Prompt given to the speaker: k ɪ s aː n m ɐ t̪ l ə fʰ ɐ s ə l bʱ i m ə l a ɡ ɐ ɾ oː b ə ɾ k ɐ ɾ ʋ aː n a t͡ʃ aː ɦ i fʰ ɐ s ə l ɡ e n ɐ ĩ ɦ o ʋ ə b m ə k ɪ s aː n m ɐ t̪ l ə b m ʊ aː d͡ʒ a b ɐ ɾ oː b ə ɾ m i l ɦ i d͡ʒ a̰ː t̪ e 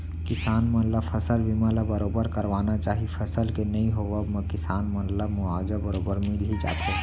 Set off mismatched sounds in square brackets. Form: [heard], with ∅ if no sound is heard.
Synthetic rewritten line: k ɪ s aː n m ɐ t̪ l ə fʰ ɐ s ə l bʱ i m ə l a [b] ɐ ɾ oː b ə ɾ k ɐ ɾ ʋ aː n a t͡ʃ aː ɦ i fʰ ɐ s ə l [k] e n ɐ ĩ ɦ o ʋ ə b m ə k ɪ s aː n m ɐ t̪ l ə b m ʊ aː d͡ʒ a b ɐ ɾ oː b ə ɾ m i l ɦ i d͡ʒ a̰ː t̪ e